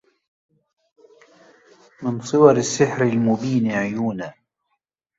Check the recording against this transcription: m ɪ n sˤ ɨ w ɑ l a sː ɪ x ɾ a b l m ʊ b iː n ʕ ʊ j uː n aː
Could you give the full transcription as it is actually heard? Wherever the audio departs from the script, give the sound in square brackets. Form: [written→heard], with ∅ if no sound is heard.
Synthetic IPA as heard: m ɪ n sˤ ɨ w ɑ [l→ɾ] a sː ɪ [x→ħ] ɾ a [b→∅] l m ʊ b iː n ʕ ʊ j uː n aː